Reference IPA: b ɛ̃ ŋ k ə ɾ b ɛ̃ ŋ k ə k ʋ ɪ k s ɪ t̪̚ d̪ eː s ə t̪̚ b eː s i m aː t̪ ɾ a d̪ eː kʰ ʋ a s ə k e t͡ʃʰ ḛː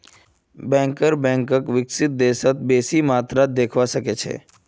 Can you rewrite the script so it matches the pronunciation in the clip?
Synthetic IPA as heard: b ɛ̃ ŋ k ə ɾ b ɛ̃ ŋ k ə k ʋ ɪ k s ɪ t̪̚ d̪ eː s ə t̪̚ b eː s i m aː t̪ ɾ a d̪ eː kʰ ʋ a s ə k e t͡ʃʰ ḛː